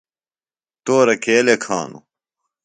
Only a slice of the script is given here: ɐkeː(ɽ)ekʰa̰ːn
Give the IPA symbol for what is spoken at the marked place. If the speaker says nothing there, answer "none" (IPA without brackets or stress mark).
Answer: l